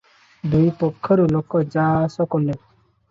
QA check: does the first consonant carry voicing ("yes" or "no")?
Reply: yes